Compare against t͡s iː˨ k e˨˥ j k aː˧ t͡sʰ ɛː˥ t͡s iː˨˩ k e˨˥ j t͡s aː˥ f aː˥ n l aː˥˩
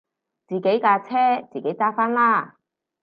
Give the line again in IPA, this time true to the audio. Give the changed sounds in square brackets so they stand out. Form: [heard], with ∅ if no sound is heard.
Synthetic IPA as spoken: t͡s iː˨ k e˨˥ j k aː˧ t͡sʰ ɛː˥ t͡s iː˨˩ k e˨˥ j t͡s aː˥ f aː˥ n l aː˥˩